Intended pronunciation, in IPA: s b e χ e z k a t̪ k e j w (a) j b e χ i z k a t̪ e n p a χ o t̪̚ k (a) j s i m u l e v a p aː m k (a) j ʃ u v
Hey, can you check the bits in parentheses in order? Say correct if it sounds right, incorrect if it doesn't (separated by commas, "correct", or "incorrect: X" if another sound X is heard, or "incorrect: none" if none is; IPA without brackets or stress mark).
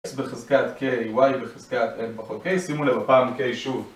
correct, incorrect: e, incorrect: e